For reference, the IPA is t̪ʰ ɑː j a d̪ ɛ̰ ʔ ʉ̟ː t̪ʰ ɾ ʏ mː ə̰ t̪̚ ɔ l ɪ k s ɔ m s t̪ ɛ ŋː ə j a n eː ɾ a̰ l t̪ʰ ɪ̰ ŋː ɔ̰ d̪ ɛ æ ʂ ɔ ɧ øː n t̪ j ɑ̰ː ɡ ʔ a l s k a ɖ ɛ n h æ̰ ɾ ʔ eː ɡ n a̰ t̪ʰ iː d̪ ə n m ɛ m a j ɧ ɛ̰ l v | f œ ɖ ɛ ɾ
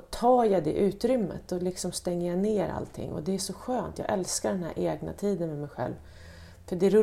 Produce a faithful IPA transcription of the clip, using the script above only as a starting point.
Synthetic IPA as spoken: t̪ʰ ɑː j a d̪ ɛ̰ ʔ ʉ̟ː t̪ ɾ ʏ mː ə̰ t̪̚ ɔ l ɪ k s ɔ m s t̪ ɛ ŋː ə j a n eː ɾ a̰ l t̪ʰ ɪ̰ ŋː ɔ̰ d̪ ɛ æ ʂ ɔ ɧ øː n t̪ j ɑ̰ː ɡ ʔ ɛ l s k a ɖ ɛ n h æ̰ ɾ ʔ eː ɡ n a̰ t̪ʰ iː d̪ ə n m ɛ m ɛ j ɧ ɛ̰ l v | f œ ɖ ɛ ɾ